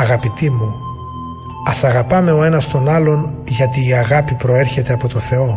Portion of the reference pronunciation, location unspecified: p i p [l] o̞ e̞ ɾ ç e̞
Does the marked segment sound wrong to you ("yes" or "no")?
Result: yes